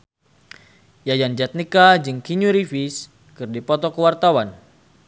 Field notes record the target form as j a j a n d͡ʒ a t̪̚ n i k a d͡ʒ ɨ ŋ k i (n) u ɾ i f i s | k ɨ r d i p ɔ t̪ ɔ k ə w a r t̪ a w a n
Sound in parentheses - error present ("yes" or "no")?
yes